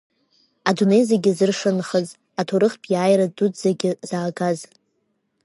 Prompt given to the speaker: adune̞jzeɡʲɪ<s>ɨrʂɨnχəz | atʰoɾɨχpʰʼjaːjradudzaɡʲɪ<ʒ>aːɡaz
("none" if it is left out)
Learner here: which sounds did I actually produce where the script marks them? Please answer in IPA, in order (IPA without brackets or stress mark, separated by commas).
z, z